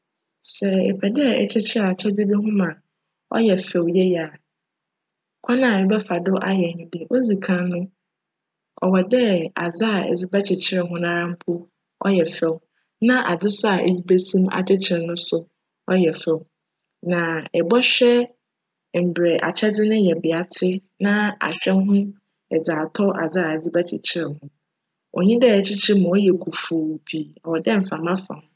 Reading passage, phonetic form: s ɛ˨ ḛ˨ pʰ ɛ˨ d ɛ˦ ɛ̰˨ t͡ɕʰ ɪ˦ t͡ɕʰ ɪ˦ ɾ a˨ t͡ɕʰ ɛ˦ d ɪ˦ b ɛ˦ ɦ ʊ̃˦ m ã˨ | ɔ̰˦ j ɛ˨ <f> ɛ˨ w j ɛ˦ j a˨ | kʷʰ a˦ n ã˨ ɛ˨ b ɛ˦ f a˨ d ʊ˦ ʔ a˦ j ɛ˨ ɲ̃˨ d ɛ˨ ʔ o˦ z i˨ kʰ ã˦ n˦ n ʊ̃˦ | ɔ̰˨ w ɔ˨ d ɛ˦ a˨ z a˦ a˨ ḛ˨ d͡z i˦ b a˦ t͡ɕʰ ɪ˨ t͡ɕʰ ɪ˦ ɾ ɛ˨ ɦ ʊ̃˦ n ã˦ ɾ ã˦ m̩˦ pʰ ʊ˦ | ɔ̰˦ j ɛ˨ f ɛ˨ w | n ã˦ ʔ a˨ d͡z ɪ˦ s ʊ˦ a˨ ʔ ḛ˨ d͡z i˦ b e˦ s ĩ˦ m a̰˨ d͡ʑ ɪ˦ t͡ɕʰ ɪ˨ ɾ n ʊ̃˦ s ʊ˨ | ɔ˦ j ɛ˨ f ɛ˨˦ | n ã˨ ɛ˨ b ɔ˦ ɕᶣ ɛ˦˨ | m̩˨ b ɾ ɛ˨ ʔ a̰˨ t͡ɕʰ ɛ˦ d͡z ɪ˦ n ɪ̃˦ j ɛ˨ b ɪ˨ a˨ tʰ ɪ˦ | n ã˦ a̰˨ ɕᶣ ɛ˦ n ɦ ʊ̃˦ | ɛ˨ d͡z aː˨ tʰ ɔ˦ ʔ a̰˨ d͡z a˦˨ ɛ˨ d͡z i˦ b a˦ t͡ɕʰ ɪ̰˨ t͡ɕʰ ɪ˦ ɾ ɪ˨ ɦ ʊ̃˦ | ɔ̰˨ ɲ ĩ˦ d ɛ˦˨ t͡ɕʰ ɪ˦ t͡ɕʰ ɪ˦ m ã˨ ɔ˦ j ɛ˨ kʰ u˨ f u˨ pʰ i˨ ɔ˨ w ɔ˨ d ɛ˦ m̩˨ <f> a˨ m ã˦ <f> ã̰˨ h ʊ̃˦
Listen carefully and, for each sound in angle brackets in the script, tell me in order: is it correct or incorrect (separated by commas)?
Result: correct, correct, correct